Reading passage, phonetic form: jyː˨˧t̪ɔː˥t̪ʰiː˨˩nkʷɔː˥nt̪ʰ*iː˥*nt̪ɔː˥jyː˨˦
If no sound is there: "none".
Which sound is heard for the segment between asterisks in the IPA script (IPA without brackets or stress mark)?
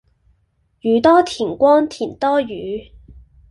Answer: iː˨˩